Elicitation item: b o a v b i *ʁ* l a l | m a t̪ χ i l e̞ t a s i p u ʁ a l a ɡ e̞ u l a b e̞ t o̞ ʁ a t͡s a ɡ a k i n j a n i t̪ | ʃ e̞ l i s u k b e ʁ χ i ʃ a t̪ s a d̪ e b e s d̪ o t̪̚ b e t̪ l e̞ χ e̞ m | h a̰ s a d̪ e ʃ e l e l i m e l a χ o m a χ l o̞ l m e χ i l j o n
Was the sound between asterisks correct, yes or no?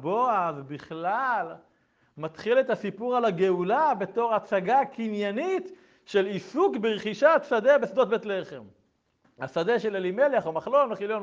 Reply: no